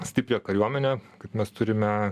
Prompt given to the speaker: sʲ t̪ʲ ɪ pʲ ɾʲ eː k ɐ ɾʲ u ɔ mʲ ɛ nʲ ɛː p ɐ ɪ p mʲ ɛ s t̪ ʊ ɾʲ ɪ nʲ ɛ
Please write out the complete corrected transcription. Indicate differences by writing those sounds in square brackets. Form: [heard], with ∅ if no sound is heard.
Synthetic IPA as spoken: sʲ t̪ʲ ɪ pʲ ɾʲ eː k ɐ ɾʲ u ɔ mʲ ɛ nʲ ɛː [k] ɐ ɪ p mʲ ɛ s t̪ ʊ ɾʲ ɪ [mʲ] ɛ